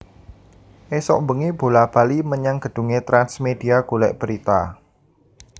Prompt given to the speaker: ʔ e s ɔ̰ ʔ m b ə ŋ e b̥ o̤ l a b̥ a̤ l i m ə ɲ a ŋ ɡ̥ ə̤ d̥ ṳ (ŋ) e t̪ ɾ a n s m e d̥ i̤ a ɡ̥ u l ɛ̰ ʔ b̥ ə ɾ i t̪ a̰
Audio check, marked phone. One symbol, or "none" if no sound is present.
ŋ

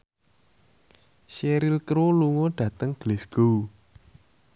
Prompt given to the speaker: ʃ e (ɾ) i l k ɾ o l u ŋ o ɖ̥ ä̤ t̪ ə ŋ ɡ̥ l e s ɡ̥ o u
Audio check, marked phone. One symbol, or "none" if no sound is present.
ɾ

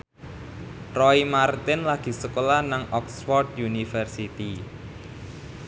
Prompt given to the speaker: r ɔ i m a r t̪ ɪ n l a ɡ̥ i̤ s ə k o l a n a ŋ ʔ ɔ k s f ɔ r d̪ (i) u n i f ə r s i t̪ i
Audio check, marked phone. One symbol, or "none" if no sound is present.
j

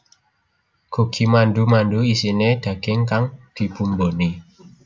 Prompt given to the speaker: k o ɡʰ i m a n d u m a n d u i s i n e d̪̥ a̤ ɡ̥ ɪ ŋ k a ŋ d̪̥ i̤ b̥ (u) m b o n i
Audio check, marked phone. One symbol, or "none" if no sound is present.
u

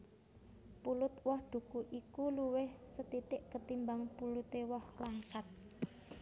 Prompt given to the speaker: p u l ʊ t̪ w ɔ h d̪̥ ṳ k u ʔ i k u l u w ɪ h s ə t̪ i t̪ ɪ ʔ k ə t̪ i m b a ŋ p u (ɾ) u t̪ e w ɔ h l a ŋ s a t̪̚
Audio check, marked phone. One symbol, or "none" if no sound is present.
l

